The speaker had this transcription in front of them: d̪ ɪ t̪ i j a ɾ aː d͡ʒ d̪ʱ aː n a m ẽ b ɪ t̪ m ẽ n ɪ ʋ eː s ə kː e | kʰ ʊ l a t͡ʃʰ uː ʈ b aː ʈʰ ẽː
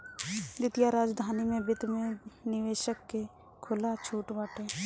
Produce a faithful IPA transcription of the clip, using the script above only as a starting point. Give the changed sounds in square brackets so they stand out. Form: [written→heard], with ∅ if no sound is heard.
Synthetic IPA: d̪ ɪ t̪ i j a ɾ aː d͡ʒ d̪ʱ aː n [a→i] m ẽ b ɪ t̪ m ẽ n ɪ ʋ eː [s→ʃ] ə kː e | kʰ ʊ l a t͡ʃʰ uː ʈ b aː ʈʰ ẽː